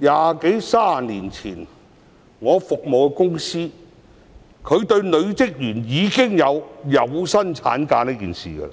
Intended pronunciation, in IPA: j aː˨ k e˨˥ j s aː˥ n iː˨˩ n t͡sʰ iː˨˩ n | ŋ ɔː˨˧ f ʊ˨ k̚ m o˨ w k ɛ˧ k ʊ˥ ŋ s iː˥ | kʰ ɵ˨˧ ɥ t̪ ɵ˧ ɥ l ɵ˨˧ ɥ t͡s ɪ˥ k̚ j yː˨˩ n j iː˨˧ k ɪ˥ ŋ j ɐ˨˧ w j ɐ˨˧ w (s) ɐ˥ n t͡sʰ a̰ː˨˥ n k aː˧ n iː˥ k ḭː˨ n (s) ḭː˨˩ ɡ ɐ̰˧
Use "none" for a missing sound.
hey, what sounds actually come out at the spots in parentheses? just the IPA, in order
s, s

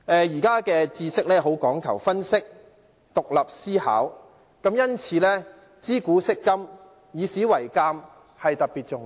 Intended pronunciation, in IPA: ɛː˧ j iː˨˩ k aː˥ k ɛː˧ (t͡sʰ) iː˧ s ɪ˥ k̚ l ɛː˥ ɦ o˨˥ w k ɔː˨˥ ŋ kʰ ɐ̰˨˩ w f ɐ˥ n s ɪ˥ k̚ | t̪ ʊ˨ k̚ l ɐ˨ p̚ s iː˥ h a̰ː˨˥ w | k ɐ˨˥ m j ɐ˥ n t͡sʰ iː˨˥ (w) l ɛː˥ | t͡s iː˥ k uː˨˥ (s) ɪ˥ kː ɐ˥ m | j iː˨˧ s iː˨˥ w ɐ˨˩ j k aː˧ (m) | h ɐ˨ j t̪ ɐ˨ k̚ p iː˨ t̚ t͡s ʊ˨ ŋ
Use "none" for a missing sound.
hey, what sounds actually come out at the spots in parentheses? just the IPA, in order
t͡s, none, s, m

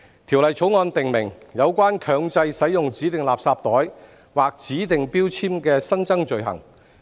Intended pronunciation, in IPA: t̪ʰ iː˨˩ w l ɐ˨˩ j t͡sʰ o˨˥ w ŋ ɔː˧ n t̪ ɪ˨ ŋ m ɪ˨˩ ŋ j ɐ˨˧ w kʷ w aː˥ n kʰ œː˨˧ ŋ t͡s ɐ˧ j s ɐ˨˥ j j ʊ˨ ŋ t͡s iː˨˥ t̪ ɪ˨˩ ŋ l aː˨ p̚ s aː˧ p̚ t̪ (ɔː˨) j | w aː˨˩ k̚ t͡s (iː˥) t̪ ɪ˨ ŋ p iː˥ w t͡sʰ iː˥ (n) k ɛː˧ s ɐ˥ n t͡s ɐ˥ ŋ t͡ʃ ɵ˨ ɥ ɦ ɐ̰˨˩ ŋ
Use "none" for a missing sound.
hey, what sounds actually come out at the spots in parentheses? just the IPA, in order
ɔː˨˥, iː˨˥, m

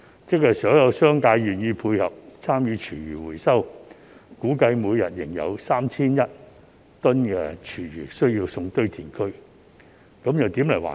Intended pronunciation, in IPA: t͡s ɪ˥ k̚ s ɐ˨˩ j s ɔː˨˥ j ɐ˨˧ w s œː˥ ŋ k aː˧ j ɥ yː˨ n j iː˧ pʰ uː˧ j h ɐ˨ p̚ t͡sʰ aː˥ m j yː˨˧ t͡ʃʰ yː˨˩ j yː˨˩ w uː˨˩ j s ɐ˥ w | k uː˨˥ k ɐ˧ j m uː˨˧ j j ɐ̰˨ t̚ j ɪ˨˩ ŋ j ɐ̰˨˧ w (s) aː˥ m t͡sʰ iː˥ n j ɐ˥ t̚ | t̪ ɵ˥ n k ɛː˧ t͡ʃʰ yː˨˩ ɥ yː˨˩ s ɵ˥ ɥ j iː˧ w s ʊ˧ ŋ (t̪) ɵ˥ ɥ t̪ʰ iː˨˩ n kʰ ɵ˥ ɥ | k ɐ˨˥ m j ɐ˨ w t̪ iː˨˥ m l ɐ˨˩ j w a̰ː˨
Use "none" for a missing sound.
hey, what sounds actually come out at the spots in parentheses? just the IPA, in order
s, t̪

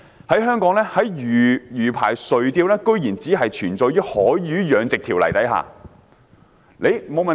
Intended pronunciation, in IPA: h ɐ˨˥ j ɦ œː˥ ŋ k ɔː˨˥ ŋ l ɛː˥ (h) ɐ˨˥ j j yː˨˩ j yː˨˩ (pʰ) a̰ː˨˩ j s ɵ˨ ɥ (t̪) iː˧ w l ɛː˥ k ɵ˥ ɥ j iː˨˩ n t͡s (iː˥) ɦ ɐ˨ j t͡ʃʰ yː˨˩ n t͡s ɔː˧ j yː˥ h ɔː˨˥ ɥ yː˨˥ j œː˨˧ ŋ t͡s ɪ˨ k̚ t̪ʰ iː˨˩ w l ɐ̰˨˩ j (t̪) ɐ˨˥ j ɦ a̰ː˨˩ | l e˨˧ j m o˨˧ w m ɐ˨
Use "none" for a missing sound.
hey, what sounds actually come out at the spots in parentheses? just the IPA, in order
h, pʰ, t̪, iː˨˥, t̪

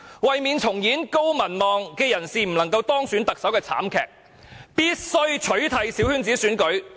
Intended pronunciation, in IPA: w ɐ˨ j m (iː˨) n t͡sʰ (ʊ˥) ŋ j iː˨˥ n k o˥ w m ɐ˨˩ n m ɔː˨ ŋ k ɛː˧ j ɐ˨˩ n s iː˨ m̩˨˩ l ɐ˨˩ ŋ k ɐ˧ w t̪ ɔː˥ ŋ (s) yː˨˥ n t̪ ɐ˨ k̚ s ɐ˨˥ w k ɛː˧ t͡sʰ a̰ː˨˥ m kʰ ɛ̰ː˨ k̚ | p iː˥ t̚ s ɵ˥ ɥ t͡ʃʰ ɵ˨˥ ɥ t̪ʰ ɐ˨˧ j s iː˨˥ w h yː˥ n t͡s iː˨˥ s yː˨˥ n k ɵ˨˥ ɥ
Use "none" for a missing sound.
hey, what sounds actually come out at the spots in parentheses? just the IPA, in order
iː˨, ʊ˨˩, s

